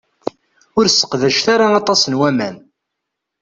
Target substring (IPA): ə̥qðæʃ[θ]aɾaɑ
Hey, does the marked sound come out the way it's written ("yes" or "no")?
yes